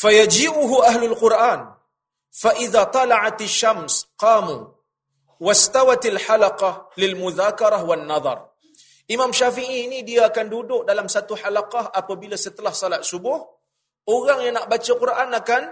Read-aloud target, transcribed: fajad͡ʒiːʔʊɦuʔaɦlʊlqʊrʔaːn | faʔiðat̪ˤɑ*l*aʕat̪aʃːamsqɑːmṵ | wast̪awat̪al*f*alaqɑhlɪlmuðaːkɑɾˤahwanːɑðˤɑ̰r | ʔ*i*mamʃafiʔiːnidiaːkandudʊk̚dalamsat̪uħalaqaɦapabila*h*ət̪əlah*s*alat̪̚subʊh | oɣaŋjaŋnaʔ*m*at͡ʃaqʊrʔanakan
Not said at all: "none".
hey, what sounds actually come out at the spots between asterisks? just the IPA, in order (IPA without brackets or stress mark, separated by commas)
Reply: l, ħ, i, s, s, b